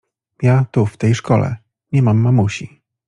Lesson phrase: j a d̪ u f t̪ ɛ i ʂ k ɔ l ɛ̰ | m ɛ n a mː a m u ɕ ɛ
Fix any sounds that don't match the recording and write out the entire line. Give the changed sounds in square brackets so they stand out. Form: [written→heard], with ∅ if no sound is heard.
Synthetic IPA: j a [d̪→t̪] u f t̪ ɛ [i→j] ʂ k ɔ l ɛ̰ | [m→ɲ] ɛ [n→m] a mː a m u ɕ [ɛ→i]